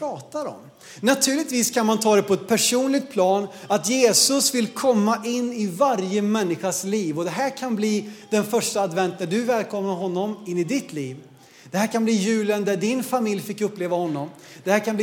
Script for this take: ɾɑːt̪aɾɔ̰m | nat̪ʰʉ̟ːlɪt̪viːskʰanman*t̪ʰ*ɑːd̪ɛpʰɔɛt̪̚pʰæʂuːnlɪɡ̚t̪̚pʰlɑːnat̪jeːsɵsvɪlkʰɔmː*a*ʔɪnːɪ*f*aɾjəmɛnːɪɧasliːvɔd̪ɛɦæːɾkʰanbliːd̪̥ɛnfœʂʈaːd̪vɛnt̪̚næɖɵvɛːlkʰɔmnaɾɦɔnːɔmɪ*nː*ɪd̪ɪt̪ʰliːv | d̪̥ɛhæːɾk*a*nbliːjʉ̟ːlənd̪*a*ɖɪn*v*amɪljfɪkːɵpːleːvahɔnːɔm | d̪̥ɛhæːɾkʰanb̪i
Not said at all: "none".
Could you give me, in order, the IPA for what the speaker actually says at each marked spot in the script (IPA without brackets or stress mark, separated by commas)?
t̪ʰ, a, v, nː, a, æ, f